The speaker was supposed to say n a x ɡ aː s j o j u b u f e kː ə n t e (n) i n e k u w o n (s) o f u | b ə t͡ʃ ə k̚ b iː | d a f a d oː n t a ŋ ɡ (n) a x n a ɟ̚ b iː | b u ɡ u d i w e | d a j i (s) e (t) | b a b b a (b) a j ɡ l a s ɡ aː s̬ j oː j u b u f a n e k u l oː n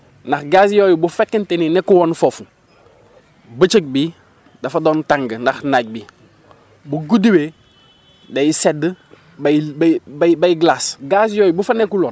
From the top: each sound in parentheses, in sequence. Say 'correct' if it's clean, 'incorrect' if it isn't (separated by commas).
correct, incorrect, correct, correct, incorrect, correct